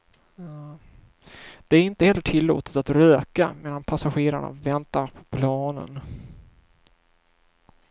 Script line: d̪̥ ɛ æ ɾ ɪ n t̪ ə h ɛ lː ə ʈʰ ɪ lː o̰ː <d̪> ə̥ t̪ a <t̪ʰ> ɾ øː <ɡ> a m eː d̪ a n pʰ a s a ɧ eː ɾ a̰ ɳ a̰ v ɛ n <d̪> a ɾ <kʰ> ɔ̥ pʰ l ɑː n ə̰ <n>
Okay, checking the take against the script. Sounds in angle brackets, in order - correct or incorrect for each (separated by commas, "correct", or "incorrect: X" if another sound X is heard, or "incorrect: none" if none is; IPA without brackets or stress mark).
incorrect: t̪, incorrect: t̪, incorrect: k, incorrect: t̪, incorrect: pʰ, correct